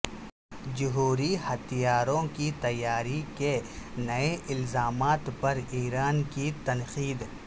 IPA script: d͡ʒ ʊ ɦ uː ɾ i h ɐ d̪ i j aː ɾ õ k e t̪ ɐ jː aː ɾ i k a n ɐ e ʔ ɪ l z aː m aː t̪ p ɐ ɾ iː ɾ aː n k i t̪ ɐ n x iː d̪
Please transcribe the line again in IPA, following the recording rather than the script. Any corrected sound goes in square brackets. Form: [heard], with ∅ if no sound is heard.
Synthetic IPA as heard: d͡ʒ ʊ ɦ uː ɾ i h ɐ [t̪] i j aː ɾ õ k [i] t̪ ɐ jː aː ɾ i k [e] n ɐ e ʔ ɪ l z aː m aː t̪ p ɐ ɾ iː ɾ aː n k i t̪ ɐ n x iː d̪